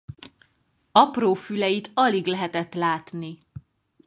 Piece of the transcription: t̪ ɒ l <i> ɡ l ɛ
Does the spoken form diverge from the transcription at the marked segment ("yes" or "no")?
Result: no